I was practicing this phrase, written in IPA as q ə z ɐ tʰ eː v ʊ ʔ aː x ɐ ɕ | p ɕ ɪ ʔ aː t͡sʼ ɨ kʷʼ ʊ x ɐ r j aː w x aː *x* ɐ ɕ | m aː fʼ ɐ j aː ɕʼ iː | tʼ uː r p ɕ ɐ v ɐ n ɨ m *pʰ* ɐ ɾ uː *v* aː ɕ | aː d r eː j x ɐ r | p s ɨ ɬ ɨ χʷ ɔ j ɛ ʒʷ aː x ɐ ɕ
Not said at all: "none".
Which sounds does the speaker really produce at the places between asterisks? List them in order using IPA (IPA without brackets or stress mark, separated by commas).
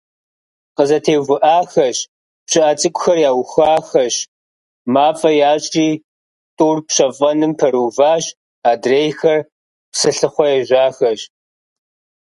x, pʰ, v